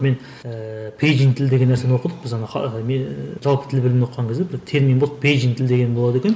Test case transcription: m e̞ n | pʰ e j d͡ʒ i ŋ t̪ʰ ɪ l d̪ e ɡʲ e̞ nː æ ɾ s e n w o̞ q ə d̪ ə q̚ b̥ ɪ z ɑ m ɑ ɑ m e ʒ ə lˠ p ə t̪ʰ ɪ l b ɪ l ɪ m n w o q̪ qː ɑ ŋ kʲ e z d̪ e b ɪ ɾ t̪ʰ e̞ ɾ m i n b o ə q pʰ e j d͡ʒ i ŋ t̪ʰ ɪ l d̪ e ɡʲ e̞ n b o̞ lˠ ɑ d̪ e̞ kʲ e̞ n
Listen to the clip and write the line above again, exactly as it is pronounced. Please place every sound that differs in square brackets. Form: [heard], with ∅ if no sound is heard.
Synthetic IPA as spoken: m e̞ n | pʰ e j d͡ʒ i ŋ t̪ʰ ɪ l d̪ e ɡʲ e̞ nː æ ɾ s e n w o̞ q ə d̪ ə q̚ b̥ ɪ z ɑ [n] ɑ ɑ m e ʒ [ɑ] lˠ p ə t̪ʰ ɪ l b ɪ l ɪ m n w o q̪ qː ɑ ŋ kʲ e z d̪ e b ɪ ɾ t̪ʰ e̞ ɾ m i n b o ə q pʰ e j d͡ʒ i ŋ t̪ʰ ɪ l d̪ e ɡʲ e̞ n b o̞ lˠ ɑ d̪ e̞ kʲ e̞ n